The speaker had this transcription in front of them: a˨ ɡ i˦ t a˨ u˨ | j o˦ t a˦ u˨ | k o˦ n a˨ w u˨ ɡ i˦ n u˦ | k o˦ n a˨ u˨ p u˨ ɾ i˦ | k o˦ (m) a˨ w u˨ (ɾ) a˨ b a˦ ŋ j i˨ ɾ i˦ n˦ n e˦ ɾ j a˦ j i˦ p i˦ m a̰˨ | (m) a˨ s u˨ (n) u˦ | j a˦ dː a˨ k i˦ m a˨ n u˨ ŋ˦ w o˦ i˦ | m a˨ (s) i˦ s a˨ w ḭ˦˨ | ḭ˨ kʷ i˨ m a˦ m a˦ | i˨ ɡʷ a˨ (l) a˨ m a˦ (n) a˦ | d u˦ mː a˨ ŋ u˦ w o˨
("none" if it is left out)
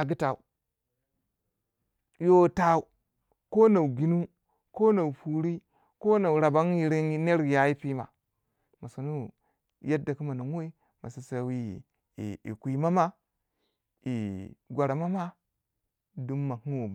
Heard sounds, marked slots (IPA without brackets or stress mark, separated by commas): n, ɾ, m, n, s, ɾ, m